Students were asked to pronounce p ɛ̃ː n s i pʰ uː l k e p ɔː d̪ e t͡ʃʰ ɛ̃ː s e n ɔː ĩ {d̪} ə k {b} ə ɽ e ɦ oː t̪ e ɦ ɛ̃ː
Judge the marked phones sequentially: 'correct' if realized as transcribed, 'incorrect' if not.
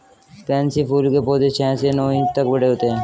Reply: incorrect, correct

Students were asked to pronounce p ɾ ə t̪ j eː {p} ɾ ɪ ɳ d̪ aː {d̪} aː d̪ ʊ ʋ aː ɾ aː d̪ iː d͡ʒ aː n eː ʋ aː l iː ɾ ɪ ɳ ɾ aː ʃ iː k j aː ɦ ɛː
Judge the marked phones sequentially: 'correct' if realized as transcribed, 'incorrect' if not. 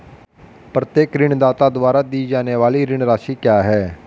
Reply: incorrect, incorrect

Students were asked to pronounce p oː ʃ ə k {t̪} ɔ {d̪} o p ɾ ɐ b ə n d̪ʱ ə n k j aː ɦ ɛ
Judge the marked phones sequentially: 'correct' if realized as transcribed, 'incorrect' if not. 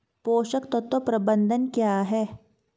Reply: correct, incorrect

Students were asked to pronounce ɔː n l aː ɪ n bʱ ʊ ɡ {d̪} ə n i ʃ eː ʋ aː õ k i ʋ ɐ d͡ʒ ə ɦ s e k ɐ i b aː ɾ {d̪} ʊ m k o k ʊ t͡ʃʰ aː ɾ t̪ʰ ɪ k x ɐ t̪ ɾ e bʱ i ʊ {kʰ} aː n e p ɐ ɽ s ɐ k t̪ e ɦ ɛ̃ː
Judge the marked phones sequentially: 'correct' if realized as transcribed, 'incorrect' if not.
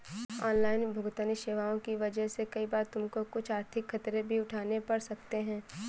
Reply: incorrect, incorrect, incorrect

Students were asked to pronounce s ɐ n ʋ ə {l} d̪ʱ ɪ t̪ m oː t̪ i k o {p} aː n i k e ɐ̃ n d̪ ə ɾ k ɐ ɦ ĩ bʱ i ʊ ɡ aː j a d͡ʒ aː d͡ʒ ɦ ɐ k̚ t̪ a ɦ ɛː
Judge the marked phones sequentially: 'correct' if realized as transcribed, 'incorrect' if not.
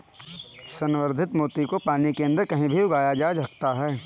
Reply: incorrect, correct

